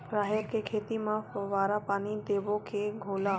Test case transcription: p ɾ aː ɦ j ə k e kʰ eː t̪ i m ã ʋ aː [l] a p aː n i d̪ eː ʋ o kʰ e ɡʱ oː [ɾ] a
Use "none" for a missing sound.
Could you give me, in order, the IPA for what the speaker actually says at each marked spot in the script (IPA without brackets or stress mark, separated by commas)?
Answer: ɾ, l